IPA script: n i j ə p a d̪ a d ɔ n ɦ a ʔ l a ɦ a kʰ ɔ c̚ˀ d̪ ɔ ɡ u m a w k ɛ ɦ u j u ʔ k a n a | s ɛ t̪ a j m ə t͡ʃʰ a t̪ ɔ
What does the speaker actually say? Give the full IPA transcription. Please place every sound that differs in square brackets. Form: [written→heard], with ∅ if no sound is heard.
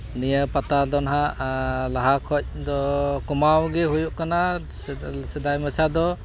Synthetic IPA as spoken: n i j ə p a [d̪→t̪] a d ɔ n ɦ a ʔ l a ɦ a kʰ ɔ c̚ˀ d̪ ɔ [ɡ→k] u m a w [k→ɡ] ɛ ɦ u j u ʔ k a n a | s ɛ [t̪→d̪] a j m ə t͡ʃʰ a [t̪→d̪] ɔ